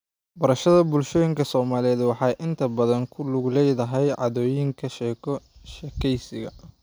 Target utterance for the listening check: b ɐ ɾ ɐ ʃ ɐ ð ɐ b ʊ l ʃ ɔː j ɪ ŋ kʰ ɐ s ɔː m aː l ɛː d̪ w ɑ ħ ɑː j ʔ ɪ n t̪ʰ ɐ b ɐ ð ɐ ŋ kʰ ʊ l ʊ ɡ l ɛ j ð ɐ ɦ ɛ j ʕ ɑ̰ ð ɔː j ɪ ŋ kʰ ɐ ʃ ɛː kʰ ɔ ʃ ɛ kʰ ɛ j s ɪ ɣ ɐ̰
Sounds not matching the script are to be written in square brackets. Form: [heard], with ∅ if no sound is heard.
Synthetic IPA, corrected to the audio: b ɐ ɾ ɐ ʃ ɐ ð ɐ b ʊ l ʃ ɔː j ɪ ŋ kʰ ɐ s ɔː m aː l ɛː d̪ w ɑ ħ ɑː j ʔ ɪ n t̪ʰ ɐ b ɐ ð ɐ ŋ kʰ ʊ l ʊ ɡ l ɛ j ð ɐ ɦ ɛ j ʕ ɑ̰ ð ɔː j ɪ ŋ kʰ ɐ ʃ ɛː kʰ ɔ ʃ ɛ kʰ ɛ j s ɪ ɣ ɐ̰